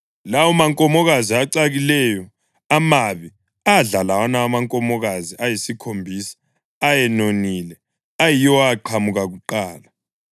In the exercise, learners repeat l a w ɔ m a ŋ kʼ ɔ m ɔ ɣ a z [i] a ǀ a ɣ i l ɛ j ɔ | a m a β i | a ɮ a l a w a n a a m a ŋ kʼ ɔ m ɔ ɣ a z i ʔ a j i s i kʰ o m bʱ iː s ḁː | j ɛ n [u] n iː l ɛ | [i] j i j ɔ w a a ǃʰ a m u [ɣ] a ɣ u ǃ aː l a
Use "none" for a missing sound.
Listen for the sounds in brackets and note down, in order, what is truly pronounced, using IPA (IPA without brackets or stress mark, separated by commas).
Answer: i, o, a, ɣ